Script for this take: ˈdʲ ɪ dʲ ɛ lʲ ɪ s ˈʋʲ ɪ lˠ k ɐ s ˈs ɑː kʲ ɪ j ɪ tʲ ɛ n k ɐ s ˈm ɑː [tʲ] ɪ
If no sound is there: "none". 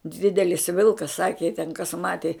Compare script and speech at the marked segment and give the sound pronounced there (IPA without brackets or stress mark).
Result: tʲ